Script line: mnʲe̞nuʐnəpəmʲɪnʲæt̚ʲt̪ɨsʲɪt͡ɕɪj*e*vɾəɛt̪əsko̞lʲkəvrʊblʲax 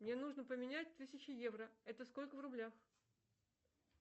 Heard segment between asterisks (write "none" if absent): e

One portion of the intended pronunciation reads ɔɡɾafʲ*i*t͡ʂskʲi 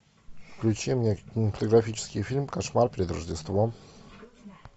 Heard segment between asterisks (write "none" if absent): i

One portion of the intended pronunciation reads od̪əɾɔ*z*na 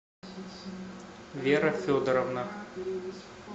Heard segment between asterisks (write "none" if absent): v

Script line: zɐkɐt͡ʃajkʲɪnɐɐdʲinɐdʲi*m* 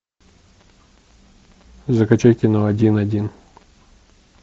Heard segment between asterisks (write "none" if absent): n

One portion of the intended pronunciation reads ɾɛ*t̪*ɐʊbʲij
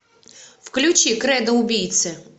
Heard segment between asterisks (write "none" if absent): d̪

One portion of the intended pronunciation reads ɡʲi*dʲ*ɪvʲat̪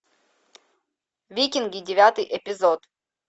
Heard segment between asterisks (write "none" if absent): dʲ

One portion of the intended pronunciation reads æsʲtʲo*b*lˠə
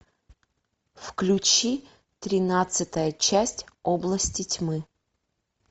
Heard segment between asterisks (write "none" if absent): b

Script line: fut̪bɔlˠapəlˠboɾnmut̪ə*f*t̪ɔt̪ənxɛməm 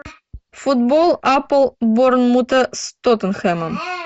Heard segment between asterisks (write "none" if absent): s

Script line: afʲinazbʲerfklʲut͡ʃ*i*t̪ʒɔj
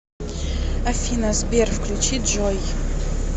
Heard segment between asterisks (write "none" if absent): i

